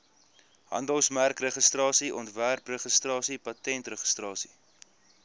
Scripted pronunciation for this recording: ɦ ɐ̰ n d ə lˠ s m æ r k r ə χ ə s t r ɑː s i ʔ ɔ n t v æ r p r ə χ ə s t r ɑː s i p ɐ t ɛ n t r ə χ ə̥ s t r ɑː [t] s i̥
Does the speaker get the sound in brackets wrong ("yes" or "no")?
yes